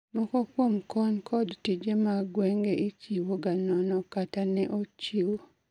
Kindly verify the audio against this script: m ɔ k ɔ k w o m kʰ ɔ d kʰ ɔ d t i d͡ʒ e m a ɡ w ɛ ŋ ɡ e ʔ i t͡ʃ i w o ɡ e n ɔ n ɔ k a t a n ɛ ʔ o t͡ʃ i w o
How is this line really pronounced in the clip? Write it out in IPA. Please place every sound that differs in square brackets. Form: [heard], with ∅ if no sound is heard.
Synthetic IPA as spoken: m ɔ k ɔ k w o m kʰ ɔ [n] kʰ ɔ d t i d͡ʒ e m a ɡ w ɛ ŋ ɡ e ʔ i t͡ʃ i w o ɡ [a] n ɔ n ɔ k a t a n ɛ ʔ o t͡ʃ i w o